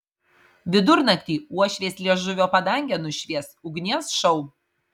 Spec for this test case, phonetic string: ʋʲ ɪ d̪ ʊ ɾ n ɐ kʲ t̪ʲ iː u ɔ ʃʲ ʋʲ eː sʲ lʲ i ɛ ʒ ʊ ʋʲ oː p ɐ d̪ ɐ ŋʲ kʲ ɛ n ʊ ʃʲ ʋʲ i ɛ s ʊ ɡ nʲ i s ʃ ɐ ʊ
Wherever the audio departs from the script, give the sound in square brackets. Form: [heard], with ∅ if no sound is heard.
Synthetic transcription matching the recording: ʋʲ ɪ d̪ ʊ ɾ n ɐ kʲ t̪ʲ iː u ɔ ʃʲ ʋʲ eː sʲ lʲ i ɛ ʒ ʊ ʋʲ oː p ɐ d̪ ɐ ŋʲ [ɡʲ] ɛ n ʊ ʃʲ ʋʲ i ɛ s ʊ ɡ nʲ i s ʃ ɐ ʊ